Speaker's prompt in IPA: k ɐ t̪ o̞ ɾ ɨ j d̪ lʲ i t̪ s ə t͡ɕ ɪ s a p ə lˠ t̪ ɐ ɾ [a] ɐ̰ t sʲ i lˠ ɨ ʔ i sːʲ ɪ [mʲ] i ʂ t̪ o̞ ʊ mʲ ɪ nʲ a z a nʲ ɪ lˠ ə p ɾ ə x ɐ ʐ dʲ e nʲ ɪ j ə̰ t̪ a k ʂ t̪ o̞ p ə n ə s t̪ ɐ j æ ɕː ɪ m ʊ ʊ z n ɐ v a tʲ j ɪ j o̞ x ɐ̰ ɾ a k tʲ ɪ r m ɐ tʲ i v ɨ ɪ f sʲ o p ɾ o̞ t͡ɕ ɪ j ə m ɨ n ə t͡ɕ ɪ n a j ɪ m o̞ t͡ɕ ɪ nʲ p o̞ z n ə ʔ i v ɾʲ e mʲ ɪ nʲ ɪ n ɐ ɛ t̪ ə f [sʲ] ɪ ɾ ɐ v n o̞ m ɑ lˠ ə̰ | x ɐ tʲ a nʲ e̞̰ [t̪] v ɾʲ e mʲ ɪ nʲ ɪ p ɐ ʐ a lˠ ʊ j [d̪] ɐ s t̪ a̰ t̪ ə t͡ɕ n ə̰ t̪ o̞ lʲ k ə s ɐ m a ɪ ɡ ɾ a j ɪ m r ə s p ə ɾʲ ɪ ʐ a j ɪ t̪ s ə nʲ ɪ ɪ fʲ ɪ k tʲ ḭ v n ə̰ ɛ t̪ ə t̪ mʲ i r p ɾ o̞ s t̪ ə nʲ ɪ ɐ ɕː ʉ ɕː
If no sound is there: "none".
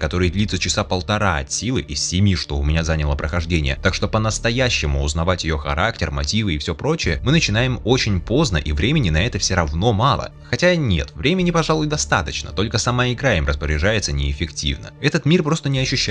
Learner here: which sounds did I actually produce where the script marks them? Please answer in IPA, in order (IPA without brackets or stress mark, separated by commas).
a, mʲ, sʲ, t̪, d̪